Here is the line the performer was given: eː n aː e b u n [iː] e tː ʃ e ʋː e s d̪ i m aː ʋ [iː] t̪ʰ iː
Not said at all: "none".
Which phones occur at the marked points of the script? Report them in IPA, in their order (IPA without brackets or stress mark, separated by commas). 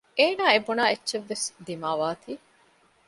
aː, aː